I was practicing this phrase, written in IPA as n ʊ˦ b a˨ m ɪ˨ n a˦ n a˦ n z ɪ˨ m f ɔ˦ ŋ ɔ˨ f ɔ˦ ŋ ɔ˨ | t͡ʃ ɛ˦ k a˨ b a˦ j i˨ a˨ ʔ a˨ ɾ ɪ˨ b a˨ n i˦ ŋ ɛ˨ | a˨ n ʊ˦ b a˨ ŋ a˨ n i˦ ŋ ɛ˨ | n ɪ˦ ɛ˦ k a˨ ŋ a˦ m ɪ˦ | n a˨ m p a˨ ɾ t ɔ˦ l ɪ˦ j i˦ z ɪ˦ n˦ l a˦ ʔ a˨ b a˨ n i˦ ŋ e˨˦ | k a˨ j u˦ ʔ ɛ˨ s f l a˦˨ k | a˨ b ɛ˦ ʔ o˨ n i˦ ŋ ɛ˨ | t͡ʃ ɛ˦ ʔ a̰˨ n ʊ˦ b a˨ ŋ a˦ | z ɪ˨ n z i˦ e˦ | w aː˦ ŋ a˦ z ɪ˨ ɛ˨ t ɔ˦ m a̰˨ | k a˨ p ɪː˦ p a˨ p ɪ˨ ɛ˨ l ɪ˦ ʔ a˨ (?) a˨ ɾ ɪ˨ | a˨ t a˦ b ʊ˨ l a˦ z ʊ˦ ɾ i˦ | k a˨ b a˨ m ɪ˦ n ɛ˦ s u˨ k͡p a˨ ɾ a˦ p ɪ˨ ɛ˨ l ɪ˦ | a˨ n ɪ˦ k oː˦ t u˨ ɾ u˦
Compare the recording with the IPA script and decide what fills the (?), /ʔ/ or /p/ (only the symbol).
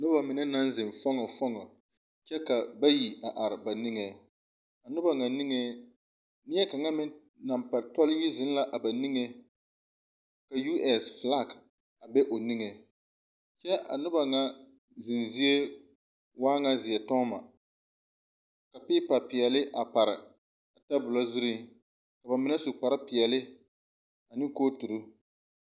p